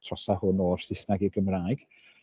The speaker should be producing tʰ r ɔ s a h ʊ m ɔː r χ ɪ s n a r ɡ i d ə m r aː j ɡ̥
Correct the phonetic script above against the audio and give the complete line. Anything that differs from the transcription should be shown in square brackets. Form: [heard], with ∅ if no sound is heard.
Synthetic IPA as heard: tʰ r ɔ s a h ʊ [n] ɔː r [s] ɪ s n a [∅] ɡ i [ɡ] ə m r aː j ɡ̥